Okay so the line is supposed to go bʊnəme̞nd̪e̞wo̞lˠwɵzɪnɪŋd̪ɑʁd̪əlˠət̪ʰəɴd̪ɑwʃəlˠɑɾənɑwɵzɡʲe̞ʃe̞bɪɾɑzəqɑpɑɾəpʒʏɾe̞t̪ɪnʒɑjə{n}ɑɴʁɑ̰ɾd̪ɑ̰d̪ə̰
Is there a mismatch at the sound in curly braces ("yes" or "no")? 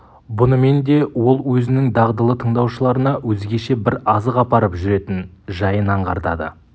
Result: no